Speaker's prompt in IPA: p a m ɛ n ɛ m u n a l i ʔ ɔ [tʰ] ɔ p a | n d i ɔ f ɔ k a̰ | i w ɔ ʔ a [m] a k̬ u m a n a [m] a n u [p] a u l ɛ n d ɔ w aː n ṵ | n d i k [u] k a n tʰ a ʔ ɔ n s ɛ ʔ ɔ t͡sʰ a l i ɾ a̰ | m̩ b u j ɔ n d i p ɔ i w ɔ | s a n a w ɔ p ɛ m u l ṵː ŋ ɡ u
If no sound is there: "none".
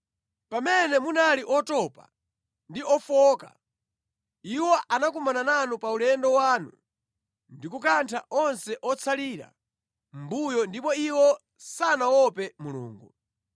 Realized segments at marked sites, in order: t, n, n, p, u

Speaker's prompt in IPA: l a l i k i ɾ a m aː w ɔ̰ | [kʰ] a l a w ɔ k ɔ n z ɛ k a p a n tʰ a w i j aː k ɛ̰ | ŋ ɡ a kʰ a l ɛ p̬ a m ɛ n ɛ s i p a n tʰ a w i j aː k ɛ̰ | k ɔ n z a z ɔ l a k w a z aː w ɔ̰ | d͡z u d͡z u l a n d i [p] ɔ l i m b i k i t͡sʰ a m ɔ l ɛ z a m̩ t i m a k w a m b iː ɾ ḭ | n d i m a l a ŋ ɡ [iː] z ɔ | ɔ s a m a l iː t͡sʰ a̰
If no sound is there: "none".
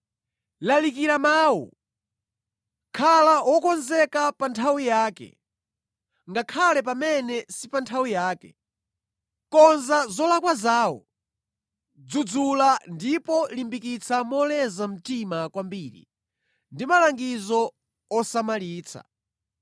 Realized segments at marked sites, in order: kʰ, p, i

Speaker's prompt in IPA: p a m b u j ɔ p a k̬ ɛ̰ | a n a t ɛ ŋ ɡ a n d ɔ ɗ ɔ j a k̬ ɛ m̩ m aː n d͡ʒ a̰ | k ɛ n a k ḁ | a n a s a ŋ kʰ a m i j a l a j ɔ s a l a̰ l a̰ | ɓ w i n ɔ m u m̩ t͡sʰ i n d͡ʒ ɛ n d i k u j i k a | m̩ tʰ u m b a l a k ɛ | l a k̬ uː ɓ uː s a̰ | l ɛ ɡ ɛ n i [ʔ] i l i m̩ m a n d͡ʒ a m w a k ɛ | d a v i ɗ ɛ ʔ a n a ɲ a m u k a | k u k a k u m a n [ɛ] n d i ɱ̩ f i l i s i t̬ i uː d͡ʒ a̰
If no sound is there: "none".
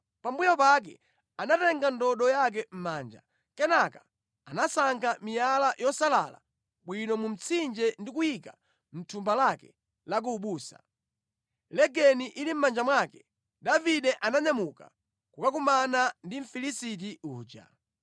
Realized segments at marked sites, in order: ʔ, a

